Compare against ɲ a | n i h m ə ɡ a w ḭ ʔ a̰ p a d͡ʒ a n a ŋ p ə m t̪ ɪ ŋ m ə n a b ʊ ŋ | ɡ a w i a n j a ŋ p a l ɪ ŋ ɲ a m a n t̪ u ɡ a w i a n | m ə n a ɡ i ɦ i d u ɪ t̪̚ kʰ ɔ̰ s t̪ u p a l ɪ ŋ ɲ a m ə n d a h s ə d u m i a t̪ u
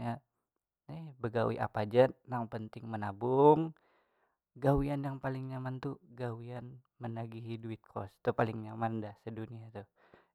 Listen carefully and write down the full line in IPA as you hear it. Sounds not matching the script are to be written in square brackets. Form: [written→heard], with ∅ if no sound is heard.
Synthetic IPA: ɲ a | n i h [m→b] ə ɡ a w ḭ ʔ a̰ p a d͡ʒ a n a ŋ p ə [m→n] t̪ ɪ ŋ m ə n a b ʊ ŋ | ɡ a w i a n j a ŋ p a l ɪ ŋ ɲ a m a n t̪ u ɡ a w i a n | m ə n a ɡ i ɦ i d u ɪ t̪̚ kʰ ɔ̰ s t̪ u p a l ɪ ŋ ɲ a m [ə→a] n d a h s ə d u [m→n] i a t̪ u